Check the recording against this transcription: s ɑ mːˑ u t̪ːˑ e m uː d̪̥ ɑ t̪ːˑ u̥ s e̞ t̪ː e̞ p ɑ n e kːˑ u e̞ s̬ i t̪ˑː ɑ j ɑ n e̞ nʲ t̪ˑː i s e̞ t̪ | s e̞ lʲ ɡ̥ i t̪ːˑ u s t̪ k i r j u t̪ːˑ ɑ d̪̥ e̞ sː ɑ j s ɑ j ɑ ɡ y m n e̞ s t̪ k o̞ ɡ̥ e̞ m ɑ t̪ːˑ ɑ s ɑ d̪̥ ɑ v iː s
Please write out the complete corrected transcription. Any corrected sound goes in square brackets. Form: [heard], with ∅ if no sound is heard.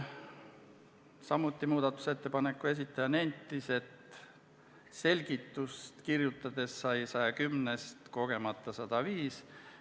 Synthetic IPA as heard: s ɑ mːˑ u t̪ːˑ [i] m uː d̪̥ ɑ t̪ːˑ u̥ s e̞ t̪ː e̞ p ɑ n e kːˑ u e̞ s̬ i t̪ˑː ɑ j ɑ n e̞ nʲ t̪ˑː i s e̞ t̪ | s e̞ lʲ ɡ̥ i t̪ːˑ u s t̪ k i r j u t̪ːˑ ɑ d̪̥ e̞ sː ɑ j s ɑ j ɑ [k] y m n e̞ s t̪ k o̞ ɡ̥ e̞ m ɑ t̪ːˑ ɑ s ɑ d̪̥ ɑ v iː s